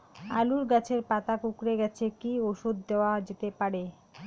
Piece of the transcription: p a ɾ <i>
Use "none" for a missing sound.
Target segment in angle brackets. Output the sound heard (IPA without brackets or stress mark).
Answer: e